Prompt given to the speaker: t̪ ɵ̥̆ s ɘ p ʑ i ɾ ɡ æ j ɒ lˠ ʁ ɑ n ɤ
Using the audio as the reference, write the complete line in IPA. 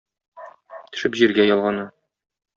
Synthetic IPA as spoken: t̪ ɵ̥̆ ʃ ɘ p ʑ i ɾ ɡ æ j ɒ lˠ ʁ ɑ n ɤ